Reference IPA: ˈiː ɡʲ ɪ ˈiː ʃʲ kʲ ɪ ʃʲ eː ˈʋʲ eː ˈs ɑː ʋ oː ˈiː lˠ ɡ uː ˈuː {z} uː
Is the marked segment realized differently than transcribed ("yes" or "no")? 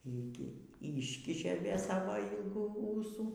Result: yes